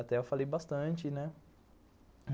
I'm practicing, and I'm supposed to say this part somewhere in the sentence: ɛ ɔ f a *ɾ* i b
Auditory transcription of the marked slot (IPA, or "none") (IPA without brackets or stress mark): l